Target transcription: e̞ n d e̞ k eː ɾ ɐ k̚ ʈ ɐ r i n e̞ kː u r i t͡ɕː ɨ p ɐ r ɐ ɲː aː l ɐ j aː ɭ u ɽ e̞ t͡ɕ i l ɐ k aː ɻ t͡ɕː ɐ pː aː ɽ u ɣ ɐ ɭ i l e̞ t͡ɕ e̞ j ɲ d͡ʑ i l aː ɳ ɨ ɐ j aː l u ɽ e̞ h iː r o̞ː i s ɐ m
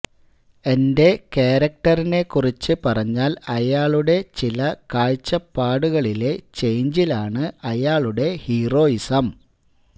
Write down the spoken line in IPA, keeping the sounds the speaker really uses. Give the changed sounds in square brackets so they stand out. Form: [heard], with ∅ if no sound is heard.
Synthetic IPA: e̞ n d e̞ k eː ɾ ɐ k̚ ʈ ɐ r i n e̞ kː u r i t͡ɕː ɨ p ɐ r ɐ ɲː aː l ɐ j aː ɭ u ɽ e̞ t͡ɕ i l ɐ k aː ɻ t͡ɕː ɐ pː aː ɽ u ɣ ɐ ɭ i l e̞ t͡ɕ e̞ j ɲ d͡ʑ i l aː ɳ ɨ ɐ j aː [ɭ] u ɽ e̞ h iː r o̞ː i s ɐ m